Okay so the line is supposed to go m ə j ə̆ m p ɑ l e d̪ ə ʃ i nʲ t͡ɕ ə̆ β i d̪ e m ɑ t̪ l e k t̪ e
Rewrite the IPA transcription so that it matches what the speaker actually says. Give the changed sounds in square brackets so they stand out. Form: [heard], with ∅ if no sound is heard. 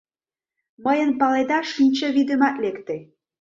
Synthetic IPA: m ə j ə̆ [n] p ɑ l e d̪ [ɑ] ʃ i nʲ t͡ɕ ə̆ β i d̪ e m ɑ t̪ l e k t̪ e